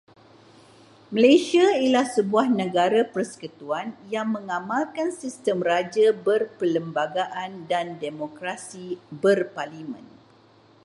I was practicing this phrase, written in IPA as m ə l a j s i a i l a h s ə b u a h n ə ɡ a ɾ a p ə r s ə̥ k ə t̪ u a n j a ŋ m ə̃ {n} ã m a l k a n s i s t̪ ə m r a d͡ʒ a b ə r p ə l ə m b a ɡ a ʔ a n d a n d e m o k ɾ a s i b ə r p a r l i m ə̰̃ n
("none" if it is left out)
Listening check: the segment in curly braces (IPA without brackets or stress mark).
ŋ